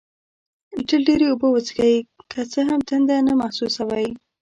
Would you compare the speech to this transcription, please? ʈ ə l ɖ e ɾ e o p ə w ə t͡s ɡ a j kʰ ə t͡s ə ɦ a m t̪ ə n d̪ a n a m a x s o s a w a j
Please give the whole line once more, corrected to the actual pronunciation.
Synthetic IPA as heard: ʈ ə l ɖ e ɾ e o b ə w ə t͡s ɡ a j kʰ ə t͡s ə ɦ a m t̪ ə n d̪ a n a m a h s u s a w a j